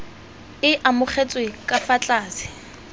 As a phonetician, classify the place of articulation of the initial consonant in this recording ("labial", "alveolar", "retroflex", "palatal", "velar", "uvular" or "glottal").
glottal